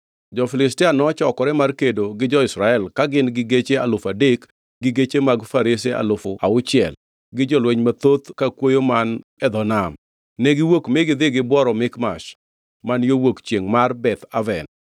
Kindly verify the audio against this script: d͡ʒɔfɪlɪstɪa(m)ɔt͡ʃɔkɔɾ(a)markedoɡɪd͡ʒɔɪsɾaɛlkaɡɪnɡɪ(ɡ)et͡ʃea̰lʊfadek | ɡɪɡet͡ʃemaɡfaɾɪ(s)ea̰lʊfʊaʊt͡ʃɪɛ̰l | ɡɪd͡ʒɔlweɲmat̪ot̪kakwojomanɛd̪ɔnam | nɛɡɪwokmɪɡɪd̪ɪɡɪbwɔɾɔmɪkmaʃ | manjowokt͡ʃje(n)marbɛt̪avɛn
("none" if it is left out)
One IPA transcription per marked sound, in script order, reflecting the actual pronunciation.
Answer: n, ɛ, ɡ, s, ŋ

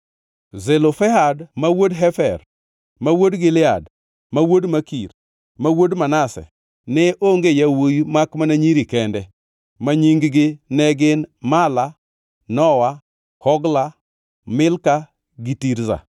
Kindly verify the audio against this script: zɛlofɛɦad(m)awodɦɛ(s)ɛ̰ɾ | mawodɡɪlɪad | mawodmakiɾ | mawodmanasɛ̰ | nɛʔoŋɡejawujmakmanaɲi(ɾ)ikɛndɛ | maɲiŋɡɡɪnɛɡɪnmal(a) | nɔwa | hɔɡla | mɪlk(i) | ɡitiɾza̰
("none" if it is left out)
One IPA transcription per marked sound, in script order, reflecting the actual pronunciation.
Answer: m, f, ɾ, a, a

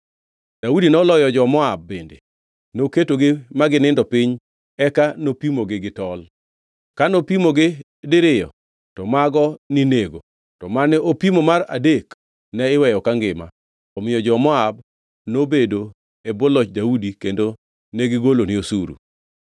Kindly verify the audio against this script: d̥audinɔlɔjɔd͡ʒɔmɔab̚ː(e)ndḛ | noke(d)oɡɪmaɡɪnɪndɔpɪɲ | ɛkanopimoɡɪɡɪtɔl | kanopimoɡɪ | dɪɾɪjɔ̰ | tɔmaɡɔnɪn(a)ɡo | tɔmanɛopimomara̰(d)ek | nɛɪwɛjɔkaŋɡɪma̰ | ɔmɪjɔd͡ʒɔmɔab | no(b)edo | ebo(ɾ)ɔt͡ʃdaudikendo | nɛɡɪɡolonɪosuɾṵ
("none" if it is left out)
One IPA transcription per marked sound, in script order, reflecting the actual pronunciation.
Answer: e, t, e, d, b, l

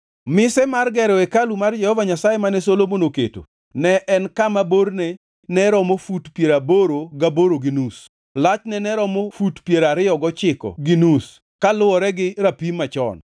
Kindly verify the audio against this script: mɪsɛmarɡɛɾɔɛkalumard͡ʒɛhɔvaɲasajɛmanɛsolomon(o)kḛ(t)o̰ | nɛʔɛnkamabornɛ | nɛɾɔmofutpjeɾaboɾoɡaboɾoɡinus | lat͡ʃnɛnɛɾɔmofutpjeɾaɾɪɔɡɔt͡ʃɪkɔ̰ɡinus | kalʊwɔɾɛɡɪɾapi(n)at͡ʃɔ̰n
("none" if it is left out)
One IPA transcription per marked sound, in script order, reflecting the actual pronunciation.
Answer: o, t, m

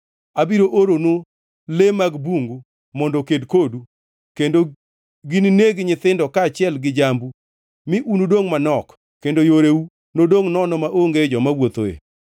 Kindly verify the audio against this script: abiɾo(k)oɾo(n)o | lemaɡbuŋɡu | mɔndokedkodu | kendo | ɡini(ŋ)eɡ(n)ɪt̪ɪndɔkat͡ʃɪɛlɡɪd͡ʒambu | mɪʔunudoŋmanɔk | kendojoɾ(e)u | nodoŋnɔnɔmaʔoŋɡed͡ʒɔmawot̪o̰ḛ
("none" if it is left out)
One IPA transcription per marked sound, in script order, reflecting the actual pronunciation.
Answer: ʔ, n, n, ɲ, e

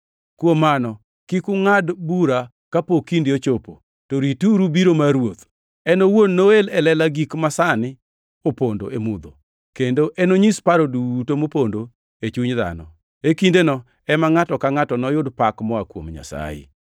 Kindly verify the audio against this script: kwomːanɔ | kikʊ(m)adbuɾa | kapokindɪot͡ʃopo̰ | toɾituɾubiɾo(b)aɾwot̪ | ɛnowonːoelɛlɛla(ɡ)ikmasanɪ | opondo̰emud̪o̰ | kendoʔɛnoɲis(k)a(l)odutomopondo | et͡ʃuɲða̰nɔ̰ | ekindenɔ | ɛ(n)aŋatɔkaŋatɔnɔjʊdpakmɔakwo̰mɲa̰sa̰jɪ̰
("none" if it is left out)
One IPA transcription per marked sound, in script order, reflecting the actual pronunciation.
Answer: ŋ, m, ɡ, p, ɾ, m

